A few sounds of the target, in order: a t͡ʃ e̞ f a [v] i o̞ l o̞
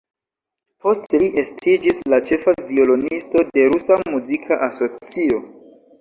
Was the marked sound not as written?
no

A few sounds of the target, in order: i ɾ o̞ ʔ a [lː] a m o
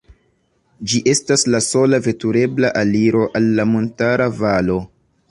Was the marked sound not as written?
no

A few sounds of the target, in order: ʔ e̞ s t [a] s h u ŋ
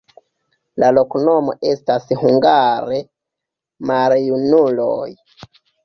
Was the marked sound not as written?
no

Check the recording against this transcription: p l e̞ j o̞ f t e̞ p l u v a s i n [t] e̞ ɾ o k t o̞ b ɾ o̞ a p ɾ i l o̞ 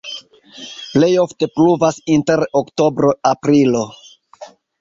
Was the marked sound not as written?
no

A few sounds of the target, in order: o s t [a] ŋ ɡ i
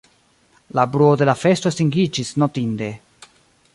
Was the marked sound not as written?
yes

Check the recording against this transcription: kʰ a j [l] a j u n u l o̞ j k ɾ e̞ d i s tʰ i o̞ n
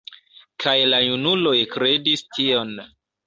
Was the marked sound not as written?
no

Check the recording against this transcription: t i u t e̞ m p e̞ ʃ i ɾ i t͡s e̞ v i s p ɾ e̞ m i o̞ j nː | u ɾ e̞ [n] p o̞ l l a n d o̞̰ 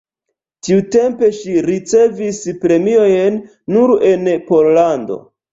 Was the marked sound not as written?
no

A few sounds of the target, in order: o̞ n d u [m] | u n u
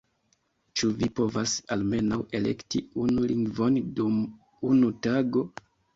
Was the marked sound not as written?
no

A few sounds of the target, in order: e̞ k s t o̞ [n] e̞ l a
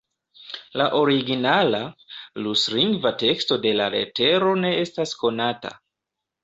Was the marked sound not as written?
yes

